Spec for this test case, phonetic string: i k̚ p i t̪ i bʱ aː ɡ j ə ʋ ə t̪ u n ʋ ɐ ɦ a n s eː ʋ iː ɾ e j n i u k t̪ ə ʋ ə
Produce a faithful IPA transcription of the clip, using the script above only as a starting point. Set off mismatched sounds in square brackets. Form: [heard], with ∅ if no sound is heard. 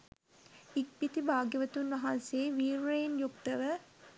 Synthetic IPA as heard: i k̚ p i t̪ i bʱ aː ɡ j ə ʋ ə t̪ u n ʋ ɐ ɦ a n s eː ʋ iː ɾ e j n [j] u k t̪ ə ʋ ə